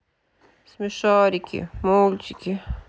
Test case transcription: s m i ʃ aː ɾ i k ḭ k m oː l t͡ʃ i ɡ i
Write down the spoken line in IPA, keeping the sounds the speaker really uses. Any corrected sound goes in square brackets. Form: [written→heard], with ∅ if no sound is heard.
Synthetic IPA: s m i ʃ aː ɾ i k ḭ [k→∅] m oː l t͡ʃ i [ɡ→k] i